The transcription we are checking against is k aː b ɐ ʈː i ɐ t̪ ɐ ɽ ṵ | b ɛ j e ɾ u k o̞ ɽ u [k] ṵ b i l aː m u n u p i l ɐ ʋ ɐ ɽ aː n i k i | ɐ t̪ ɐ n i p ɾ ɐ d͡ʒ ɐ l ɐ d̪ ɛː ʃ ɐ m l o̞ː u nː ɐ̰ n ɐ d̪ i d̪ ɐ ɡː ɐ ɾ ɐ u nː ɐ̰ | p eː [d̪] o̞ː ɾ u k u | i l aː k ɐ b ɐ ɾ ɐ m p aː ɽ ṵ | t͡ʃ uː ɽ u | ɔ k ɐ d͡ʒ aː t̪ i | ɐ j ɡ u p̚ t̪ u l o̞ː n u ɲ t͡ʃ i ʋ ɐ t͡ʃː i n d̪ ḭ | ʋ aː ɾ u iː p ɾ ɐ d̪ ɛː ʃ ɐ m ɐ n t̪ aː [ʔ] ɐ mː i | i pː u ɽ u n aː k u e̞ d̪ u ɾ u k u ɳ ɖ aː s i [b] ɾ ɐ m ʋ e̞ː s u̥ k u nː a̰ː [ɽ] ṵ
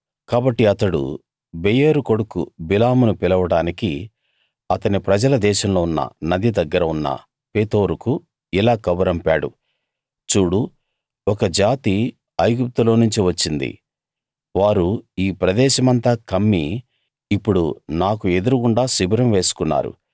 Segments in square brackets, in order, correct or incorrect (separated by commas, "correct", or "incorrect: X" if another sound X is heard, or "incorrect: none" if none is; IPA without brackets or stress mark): correct, incorrect: t̪, incorrect: k, correct, incorrect: ɾ